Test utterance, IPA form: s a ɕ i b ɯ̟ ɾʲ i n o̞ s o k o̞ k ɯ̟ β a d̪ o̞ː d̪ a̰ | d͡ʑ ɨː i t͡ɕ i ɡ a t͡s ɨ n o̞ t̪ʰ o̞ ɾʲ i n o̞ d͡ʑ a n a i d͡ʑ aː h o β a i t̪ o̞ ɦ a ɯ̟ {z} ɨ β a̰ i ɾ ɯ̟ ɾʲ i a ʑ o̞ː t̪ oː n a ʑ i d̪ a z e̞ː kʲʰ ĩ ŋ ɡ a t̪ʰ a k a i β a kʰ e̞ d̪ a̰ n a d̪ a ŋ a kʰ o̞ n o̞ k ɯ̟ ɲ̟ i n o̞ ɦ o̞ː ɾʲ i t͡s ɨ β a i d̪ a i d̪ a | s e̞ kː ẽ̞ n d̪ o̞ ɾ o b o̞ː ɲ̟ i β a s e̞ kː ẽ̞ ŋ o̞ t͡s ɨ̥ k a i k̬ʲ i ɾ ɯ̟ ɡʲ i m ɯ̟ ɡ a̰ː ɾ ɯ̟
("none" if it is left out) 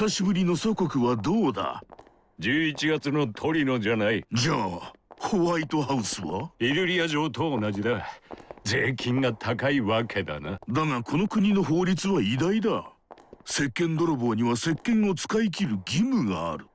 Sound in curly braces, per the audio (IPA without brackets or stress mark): s